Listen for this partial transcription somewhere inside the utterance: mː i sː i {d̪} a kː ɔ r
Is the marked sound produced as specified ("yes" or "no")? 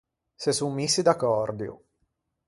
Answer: yes